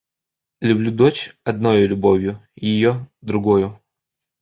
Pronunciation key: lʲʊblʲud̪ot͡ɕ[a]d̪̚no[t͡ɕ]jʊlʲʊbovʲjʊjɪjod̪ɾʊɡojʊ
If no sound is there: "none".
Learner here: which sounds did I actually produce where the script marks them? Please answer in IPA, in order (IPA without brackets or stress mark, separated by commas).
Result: ɐ, none